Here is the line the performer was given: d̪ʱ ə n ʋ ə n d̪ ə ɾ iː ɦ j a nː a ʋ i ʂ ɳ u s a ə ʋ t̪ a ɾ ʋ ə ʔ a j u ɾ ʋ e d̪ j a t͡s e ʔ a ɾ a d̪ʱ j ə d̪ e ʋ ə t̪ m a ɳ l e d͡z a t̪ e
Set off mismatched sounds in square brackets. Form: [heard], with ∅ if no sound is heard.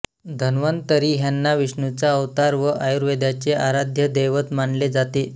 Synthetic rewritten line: d̪ʱ ə n ʋ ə n [t̪] ə ɾ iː ɦ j a nː a ʋ i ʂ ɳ u [t͡s] a ə ʋ t̪ a ɾ ʋ ə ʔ a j u ɾ ʋ e d̪ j a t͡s e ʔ a ɾ a d̪ʱ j ə d̪ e ʋ ə t̪ m a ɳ l e d͡z a t̪ e